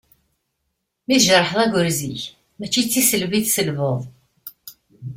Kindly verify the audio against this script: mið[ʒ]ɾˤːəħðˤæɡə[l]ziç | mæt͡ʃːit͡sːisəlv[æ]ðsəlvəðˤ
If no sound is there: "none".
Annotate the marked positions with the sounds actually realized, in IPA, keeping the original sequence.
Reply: ʒ, ɾ, i

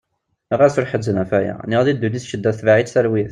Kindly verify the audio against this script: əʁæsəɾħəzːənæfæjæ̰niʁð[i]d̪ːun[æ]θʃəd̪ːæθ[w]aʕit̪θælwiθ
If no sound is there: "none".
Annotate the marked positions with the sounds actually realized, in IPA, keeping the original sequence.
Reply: i, i, v

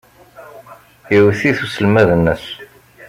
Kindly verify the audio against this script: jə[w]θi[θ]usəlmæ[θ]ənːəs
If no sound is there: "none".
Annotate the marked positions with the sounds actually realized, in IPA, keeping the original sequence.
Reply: w, θ, ð

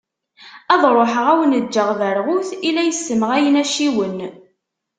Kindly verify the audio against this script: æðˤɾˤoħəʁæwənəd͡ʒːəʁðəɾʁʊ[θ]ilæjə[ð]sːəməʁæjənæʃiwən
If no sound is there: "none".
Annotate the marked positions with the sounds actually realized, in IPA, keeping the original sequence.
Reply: θ, none

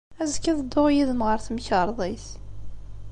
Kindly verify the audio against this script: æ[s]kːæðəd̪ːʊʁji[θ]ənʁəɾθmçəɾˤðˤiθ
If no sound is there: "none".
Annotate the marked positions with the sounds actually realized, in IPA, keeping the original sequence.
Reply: z, ð

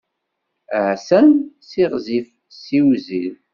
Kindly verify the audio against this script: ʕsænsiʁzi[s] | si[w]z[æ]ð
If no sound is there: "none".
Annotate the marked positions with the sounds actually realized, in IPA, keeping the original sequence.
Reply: f, w, i

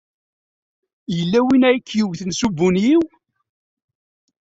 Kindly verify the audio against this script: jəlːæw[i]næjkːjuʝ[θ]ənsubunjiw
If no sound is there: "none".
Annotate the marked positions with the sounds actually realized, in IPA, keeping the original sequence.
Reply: i, θ

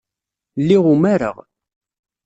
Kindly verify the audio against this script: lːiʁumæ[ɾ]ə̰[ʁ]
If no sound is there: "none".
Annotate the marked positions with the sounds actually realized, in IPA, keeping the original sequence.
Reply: ɾ, ʁ

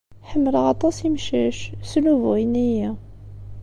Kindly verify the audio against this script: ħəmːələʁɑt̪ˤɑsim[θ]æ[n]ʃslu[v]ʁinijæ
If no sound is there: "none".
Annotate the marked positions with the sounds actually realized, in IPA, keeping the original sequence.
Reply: ʃ, none, v

